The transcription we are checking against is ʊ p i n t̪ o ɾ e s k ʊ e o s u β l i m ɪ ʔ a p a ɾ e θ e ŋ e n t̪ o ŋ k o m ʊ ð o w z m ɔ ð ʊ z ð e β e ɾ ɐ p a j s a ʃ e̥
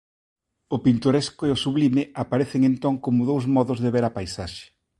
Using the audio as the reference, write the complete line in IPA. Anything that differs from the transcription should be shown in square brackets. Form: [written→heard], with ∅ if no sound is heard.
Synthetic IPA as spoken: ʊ p i n t̪ o ɾ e s k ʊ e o s u β l i m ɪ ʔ a p a ɾ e θ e ŋ e n t̪ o ŋ k o m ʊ ð o w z m ɔ ð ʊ z ð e β e ɾ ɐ p a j s a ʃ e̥